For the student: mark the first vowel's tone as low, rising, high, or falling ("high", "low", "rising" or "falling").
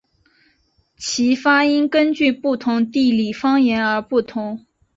rising